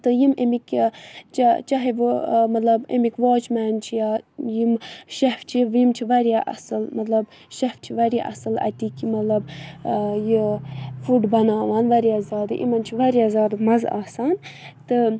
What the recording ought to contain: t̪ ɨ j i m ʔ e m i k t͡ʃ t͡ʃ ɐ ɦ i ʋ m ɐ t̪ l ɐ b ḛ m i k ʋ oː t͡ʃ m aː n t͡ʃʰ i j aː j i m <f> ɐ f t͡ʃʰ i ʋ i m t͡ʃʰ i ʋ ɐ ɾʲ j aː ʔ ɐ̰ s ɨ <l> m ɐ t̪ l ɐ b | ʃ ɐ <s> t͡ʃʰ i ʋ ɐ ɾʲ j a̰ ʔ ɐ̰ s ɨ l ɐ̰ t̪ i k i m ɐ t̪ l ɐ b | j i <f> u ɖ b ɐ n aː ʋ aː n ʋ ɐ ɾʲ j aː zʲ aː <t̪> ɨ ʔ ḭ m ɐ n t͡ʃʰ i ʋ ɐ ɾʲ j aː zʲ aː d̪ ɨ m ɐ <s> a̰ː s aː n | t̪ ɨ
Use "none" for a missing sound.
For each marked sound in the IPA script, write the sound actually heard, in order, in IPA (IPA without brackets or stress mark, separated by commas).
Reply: ʃ, l, f, f, d̪, z